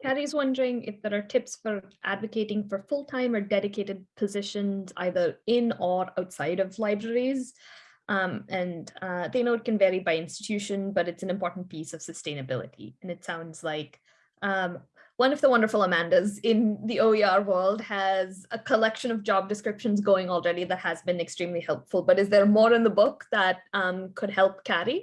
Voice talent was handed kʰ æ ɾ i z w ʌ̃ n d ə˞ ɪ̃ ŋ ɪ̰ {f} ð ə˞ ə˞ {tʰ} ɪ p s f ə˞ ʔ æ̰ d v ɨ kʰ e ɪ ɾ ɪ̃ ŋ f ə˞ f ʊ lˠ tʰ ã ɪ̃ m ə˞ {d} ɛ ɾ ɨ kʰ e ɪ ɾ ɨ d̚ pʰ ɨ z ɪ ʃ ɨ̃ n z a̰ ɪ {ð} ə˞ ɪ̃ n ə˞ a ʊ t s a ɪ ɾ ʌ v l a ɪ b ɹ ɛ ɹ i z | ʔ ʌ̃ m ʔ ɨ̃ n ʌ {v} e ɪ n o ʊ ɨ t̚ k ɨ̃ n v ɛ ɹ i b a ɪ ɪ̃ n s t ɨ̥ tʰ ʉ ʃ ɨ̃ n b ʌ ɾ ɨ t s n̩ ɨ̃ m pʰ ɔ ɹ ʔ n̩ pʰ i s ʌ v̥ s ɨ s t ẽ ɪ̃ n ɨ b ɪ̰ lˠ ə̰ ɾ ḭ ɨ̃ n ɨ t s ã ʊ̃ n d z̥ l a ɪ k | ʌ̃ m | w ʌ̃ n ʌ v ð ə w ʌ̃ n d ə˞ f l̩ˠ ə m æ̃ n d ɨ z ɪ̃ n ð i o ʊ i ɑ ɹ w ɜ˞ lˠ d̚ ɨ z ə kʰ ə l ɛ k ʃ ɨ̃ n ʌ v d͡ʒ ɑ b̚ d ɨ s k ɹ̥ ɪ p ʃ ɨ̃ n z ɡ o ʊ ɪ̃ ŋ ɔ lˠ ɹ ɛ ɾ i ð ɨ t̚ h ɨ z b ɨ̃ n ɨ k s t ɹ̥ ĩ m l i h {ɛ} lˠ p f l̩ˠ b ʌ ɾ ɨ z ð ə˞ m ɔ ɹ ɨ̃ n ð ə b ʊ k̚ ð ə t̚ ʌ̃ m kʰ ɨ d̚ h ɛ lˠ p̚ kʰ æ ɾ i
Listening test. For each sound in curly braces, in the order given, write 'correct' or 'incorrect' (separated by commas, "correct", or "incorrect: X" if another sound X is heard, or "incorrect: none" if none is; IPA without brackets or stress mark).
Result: correct, correct, correct, correct, incorrect: ð, correct